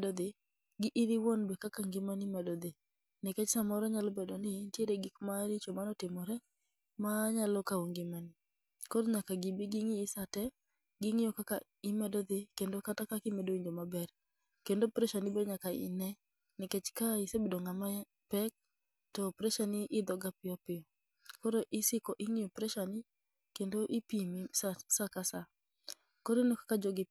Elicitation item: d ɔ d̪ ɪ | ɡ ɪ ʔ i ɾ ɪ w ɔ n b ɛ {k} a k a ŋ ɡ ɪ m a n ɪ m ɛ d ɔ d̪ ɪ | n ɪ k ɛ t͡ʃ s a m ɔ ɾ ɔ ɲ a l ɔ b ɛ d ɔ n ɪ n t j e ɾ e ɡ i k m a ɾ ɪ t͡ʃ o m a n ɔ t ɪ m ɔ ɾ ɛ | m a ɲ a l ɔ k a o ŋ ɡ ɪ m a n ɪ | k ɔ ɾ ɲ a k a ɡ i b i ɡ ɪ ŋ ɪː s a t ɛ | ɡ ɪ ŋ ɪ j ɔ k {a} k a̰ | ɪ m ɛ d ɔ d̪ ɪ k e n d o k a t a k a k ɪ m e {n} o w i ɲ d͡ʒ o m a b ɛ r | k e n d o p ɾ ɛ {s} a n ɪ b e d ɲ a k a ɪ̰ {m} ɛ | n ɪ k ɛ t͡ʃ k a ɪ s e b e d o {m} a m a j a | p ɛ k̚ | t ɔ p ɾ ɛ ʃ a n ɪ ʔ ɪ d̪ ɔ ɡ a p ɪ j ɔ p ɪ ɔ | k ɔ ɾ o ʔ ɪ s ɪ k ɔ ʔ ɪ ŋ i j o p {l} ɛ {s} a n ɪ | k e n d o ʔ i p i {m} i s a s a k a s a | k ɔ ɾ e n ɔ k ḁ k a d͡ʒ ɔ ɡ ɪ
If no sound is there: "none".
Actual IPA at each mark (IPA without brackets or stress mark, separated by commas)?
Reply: k, a, d, ʃ, n, ŋ, ɾ, ʃ, m